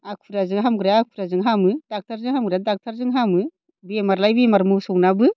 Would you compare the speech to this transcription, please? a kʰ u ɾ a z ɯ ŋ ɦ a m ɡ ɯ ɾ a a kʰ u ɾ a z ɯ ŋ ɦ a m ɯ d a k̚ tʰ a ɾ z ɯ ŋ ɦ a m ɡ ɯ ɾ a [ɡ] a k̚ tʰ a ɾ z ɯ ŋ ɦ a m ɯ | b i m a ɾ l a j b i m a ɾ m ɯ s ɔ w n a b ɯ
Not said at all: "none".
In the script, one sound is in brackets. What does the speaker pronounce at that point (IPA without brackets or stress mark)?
d